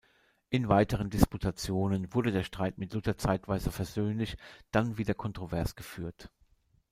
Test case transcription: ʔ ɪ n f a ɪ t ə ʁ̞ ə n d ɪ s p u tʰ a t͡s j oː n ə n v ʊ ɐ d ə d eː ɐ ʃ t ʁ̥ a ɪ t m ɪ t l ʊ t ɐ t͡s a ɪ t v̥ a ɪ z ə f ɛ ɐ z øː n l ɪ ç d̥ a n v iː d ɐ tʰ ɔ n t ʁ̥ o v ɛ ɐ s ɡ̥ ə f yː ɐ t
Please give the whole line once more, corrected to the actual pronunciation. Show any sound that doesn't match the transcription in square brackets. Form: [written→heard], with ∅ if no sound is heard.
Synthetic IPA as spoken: ʔ ɪ n [f→v] a ɪ t ə ʁ̞ ə n d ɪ s p u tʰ a t͡s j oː n ə n v ʊ ɐ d ə d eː ɐ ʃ t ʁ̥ a ɪ t m ɪ t l ʊ t ɐ t͡s a ɪ t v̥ a ɪ z ə f ɛ ɐ z øː n l ɪ ç d̥ a n v iː d ɐ [tʰ→kʰ] ɔ n t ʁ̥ o v ɛ ɐ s ɡ̥ ə f yː ɐ t

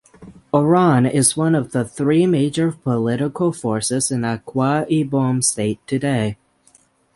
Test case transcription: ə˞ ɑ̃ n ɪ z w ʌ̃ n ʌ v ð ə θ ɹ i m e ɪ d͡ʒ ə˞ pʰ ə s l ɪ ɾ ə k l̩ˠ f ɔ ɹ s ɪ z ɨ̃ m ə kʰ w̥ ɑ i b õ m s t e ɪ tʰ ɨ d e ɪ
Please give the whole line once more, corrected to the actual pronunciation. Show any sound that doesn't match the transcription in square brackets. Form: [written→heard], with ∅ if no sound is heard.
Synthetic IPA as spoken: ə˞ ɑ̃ n ɪ z w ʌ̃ n ʌ v ð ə θ ɹ i m e ɪ d͡ʒ ə˞ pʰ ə [s→∅] l ɪ ɾ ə k l̩ˠ f ɔ ɹ s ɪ z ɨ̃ [m→n] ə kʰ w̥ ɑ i b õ m s t e ɪ tʰ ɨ d e ɪ

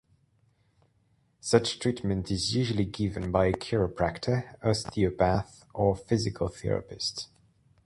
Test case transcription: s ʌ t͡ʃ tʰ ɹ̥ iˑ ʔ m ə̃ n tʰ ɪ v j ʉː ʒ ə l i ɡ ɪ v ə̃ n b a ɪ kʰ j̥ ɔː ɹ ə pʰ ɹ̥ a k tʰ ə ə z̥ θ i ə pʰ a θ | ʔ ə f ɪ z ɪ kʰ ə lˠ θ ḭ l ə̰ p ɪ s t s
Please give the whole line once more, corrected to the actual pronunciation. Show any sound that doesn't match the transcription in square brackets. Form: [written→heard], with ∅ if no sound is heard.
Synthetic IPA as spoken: s ʌ t͡ʃ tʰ ɹ̥ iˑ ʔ m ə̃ n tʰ ɪ [v→z] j ʉː ʒ ə l i ɡ ɪ v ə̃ n b a ɪ kʰ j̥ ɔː ɹ ə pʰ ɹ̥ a k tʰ ə ə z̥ θ i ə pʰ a θ | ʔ ə f ɪ z ɪ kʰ ə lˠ θ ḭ [l→ɹ] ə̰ p ɪ s t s

